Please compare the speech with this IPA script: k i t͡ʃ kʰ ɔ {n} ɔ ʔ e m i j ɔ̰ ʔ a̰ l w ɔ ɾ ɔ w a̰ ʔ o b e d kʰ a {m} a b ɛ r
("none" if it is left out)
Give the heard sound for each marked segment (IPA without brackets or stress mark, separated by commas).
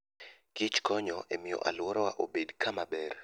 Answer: ɲ, m